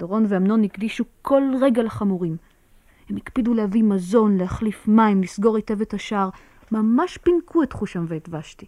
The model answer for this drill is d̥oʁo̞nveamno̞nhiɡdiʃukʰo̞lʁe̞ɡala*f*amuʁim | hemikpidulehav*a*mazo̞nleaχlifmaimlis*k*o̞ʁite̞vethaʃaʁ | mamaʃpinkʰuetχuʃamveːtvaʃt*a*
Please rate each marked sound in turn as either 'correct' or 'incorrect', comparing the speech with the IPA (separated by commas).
incorrect, incorrect, incorrect, incorrect